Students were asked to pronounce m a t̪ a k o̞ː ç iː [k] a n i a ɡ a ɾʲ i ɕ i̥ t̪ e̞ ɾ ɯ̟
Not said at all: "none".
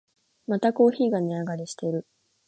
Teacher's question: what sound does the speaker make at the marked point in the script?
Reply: ɡ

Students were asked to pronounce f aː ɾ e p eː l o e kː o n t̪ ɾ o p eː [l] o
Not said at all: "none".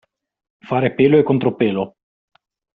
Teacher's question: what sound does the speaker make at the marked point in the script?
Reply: l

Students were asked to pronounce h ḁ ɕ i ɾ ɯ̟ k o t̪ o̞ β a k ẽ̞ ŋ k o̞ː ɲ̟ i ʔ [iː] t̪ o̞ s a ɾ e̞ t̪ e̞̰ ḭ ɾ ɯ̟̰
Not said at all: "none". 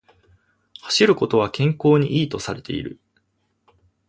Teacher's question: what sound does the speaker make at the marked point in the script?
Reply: iː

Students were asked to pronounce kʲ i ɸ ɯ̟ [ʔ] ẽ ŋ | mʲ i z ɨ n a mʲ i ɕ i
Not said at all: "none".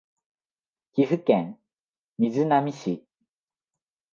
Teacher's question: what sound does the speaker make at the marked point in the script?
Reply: k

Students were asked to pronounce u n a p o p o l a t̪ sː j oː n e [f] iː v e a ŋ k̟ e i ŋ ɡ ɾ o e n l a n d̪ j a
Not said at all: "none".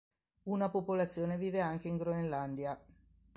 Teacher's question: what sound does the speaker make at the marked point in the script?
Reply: v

